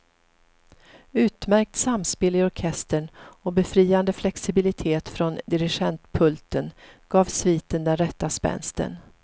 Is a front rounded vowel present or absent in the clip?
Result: absent